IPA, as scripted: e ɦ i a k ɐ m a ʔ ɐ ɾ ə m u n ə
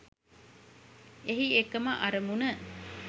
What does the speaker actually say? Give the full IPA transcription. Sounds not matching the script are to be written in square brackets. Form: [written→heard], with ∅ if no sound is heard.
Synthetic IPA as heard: e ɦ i [a→e] k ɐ m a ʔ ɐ ɾ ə m u n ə